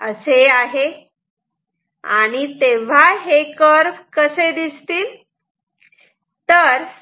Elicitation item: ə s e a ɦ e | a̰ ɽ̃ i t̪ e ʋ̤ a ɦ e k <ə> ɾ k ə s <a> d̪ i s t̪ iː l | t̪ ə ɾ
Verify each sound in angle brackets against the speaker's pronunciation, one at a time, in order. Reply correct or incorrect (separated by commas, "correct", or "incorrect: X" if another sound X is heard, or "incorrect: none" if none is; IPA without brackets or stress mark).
correct, incorrect: e